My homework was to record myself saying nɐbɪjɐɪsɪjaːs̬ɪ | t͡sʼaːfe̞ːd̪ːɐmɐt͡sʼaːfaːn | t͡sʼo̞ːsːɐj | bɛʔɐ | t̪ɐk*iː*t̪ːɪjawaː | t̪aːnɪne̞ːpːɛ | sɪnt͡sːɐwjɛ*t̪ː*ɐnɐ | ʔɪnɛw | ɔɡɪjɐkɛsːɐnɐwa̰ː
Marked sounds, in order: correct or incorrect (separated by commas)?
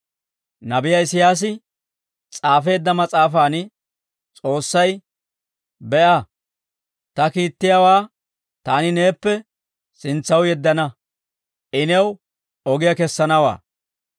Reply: correct, incorrect